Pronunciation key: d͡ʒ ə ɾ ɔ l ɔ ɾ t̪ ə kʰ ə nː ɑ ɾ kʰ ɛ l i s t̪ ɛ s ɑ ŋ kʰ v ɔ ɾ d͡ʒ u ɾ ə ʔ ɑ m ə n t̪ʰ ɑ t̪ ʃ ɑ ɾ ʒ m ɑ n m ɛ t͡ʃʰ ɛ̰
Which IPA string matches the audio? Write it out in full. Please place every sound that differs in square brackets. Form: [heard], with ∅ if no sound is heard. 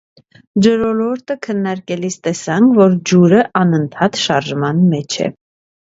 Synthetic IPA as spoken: d͡ʒ ə ɾ ɔ l ɔ ɾ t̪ ə kʰ ə nː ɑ ɾ [k] ɛ l i s t̪ ɛ s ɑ ŋ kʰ v ɔ ɾ d͡ʒ u ɾ ə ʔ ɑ [n] ə n t̪ʰ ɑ t̪ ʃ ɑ ɾ ʒ m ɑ n m ɛ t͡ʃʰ ɛ̰